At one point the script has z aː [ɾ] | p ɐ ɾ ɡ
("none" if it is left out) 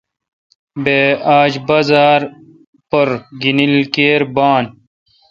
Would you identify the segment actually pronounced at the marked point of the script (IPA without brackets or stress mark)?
ɾ